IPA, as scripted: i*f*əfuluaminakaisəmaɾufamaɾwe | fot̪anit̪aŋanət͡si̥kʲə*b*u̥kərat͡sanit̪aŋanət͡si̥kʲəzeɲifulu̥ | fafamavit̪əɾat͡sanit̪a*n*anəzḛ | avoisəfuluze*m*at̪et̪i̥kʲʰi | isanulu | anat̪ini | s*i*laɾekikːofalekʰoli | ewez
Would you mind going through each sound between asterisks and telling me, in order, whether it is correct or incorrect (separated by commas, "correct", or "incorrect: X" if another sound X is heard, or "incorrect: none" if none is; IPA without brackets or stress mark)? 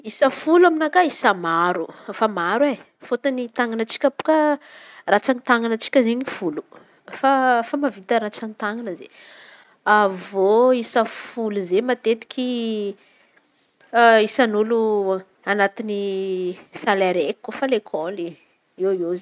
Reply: incorrect: s, incorrect: p, incorrect: ŋ, correct, incorrect: a